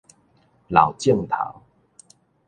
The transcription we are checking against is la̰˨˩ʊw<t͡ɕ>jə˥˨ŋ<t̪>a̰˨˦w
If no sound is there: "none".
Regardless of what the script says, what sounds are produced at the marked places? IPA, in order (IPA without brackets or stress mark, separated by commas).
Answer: t͡ɕ, t̪ʰ